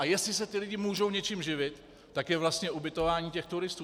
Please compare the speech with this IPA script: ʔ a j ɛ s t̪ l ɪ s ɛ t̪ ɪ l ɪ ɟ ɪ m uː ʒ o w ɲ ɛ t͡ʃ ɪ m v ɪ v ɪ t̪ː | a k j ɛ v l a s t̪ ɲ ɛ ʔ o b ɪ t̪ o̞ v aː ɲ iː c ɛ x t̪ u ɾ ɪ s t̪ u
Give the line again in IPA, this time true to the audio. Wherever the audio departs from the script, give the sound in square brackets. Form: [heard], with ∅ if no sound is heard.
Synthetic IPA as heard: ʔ a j ɛ s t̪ l ɪ s ɛ t̪ ɪ l ɪ ɟ ɪ m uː ʒ o w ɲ ɛ t͡ʃ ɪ m [ʒ] ɪ v ɪ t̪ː | a k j ɛ v l a s t̪ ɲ ɛ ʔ [u] b ɪ t̪ o̞ v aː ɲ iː c ɛ x t̪ u ɾ ɪ s t̪ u